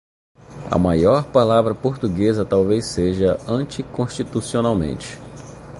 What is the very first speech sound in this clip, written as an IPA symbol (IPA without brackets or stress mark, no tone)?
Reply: ɐ̰